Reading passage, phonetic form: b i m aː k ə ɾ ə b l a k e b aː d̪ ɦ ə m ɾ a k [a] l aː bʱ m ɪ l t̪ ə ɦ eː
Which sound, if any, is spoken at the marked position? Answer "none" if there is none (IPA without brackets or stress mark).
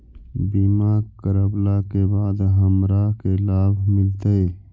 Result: e